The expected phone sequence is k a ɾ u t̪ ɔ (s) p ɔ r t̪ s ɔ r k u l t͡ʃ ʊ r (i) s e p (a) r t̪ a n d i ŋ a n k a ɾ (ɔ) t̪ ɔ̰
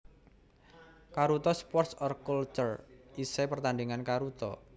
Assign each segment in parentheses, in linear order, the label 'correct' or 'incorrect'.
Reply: correct, correct, incorrect: ə, incorrect: u

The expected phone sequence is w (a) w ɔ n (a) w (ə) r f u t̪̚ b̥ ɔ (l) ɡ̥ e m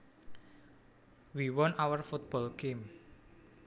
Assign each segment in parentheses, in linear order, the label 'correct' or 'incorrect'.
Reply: incorrect: i, correct, correct, correct

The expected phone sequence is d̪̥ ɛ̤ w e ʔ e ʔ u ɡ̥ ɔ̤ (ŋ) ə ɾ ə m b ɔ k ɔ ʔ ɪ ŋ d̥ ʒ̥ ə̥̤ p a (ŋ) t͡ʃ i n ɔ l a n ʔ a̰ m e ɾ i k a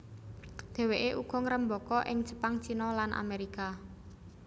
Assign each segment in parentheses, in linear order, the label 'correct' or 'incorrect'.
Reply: correct, correct

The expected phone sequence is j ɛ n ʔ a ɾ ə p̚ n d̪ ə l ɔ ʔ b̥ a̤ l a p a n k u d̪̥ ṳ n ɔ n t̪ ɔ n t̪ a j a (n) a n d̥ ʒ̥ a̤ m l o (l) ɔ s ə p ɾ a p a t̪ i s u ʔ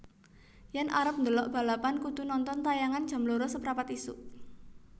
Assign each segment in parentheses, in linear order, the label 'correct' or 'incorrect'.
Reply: incorrect: ŋ, incorrect: ɾ

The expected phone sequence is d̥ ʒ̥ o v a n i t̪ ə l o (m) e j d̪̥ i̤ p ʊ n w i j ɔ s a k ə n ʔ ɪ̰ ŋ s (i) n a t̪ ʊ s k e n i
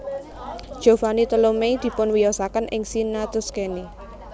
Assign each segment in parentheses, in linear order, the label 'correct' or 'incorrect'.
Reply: correct, correct

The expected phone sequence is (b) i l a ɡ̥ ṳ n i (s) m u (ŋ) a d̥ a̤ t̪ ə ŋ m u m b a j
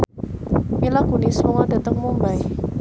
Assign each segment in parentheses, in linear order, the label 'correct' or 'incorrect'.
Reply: incorrect: m, correct, correct

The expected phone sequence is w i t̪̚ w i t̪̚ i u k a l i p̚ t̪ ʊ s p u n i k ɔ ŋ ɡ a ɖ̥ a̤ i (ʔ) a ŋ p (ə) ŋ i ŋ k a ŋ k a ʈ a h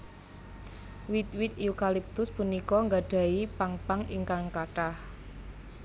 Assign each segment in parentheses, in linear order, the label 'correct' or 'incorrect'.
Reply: incorrect: p, incorrect: a

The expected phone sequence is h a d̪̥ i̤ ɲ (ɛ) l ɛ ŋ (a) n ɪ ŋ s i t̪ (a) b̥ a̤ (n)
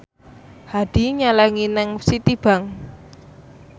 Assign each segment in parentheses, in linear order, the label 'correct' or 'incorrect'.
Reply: incorrect: a, incorrect: i, incorrect: i, incorrect: ŋ

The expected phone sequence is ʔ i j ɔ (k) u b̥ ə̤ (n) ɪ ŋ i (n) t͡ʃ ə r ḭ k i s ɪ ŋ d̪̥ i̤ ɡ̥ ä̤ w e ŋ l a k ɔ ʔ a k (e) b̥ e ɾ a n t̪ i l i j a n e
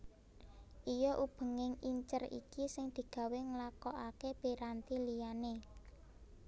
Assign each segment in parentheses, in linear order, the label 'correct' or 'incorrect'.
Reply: incorrect: ʔ, incorrect: ŋ, incorrect: ɲ, correct

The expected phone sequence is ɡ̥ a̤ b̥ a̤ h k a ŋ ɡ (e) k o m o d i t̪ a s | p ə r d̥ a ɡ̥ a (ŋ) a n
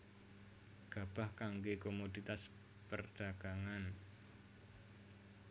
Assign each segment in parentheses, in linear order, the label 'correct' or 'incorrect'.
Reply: correct, correct

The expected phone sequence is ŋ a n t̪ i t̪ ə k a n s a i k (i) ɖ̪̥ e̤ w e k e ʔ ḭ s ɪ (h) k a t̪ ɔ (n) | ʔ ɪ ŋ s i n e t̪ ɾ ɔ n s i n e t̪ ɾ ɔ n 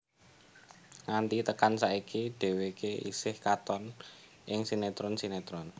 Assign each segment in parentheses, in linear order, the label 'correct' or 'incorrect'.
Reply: correct, correct, correct

